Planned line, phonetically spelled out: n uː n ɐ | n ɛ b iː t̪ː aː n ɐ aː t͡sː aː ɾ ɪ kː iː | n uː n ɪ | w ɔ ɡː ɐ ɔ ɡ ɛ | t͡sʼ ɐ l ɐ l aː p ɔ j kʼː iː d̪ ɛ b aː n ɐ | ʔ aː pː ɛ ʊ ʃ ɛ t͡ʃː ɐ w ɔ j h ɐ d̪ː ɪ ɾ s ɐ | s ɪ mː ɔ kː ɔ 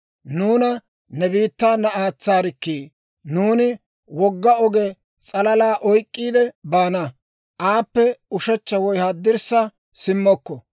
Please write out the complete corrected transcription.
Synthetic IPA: n uː n ɐ | n ɛ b iː t̪ː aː n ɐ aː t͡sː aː ɾ ɪ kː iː | n uː n ɪ | w ɔ ɡː ɐ ɔ ɡ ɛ | t͡sʼ ɐ l ɐ l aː ʔ ɔ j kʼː iː d̪ ɛ b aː n ɐ | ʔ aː pː ɛ ʊ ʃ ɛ t͡ʃː ɐ w ɔ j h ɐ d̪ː ɪ ɾ s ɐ | s ɪ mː ɔ kː ɔ